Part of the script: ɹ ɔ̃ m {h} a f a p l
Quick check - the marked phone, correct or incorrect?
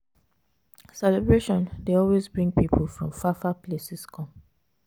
incorrect